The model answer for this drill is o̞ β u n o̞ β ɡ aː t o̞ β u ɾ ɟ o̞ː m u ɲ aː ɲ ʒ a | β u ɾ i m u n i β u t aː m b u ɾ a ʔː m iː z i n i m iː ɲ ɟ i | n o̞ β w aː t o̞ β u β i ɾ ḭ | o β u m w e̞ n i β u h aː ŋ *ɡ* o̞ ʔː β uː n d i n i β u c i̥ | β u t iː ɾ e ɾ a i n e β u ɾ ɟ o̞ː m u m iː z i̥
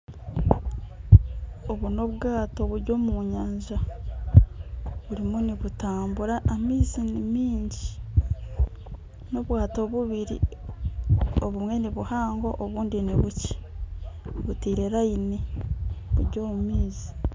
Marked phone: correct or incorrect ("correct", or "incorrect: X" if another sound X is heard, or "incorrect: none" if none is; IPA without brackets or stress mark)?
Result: correct